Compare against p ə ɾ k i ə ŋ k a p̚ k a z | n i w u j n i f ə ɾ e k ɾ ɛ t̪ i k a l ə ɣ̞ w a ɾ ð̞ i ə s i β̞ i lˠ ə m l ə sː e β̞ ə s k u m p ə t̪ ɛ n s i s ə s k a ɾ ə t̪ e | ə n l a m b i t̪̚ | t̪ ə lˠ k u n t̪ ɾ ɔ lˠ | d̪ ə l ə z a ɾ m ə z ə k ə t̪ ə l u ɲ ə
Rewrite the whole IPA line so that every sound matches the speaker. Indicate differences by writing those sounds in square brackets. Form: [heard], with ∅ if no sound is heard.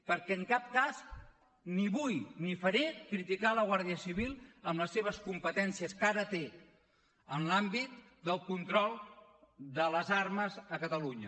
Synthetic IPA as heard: p ə ɾ k [ɛ] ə ŋ k a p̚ k a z | n i [β] u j n i f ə ɾ e k ɾ [i] t̪ i k a l ə ɣ̞ w a ɾ ð̞ i ə s i β̞ i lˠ ə m l ə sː e β̞ ə s k u m p ə t̪ ɛ n s i [∅] ə s k a ɾ ə t̪ e | ə n l a m b i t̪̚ | [d̪] ə lˠ k u n t̪ ɾ ɔ lˠ | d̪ ə l ə z a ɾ m ə z ə k ə t̪ ə l u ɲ ə

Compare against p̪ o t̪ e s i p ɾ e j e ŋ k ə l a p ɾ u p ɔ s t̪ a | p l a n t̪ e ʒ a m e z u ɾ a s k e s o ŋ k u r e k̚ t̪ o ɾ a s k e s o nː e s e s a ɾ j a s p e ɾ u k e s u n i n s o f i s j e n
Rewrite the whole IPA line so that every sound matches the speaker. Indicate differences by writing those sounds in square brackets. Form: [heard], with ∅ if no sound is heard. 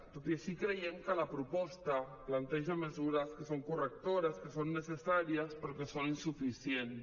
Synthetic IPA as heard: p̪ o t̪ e s i [k] ɾ e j e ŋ k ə l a p ɾ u p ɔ s t̪ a | p l a n t̪ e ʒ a m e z u ɾ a s k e s o ŋ k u r e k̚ t̪ o ɾ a s k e s o nː e s e s a ɾ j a s p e ɾ [o] k e s [o] n i n s [u] f i s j e n

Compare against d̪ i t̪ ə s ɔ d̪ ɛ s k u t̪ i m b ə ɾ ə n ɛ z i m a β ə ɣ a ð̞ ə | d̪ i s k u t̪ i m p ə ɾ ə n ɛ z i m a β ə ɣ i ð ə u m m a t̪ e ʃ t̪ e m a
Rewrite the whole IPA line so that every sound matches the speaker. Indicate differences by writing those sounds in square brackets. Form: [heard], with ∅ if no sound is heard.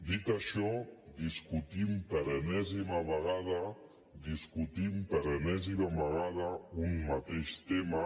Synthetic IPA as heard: d̪ i t̪ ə [ʃ] ɔ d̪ [i] s k u t̪ i m [p] ə ɾ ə n ɛ z i m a β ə ɣ a ð̞ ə | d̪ i s k u t̪ i m p ə ɾ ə n ɛ z i m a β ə ɣ [a] ð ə u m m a t̪ e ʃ t̪ e m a

